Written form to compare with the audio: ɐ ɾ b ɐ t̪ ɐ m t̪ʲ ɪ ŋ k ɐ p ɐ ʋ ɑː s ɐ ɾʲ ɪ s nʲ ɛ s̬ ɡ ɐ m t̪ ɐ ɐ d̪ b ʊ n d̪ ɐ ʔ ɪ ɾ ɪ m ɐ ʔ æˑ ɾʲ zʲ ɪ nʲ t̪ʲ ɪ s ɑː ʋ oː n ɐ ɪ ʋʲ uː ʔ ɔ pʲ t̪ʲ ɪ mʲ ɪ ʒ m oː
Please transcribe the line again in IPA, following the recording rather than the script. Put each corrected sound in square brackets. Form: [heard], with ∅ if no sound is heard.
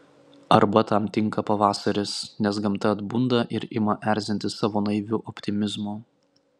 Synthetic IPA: ɐ ɾ b ɐ t̪ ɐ m t̪ʲ ɪ ŋ k ɐ p ɐ ʋ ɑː s ɐ ɾʲ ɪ s nʲ ɛ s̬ ɡ ɐ m t̪ ɐ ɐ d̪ b ʊ n d̪ ɐ ʔ ɪ ɾ ɪ m ɐ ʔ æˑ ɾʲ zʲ ɪ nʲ t̪ʲ ɪ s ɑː ʋ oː n ɐ ɪ ʋʲ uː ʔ ɔ pʲ t̪ʲ ɪ mʲ ɪ [z] m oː